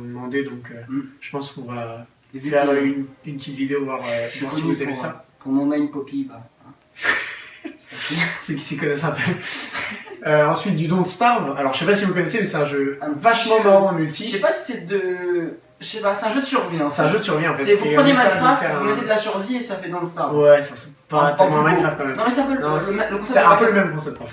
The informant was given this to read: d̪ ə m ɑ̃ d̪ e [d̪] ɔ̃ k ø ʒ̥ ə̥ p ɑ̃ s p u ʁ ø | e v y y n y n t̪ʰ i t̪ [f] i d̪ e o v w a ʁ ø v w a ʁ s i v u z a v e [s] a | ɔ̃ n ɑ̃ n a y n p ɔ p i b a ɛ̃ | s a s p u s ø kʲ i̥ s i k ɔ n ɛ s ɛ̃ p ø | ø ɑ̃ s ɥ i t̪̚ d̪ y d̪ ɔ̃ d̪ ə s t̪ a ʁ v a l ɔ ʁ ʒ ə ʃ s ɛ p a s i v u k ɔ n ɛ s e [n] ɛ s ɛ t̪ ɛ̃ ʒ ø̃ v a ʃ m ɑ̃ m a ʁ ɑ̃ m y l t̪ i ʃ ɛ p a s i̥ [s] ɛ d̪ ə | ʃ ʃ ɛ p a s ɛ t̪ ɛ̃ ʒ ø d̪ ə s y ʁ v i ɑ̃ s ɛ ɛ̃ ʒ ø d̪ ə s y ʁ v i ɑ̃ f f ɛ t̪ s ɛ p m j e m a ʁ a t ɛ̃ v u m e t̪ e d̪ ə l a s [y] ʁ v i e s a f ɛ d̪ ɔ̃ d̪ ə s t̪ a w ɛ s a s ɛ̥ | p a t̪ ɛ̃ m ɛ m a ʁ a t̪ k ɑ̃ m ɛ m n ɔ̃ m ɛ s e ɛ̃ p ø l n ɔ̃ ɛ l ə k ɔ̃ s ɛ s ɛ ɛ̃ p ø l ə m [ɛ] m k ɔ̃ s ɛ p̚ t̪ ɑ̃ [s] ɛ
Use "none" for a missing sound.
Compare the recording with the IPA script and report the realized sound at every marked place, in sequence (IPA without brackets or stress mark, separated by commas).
d̪, v, s, m, s, y, ɛ, f